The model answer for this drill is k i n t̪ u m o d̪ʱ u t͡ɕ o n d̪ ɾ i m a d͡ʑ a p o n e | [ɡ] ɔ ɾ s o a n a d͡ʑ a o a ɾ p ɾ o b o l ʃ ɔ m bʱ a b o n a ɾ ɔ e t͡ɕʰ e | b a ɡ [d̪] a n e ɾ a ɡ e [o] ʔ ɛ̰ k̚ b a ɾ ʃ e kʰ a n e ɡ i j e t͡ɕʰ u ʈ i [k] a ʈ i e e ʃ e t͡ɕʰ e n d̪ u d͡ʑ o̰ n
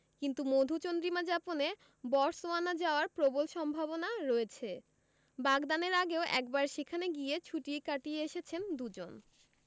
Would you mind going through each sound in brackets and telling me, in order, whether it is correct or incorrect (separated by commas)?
incorrect, correct, correct, correct